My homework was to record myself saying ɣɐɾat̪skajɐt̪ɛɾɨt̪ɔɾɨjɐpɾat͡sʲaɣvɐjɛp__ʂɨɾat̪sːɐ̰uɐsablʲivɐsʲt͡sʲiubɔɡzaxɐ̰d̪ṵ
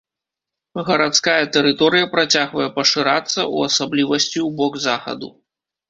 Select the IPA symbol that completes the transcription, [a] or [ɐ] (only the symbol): ɐ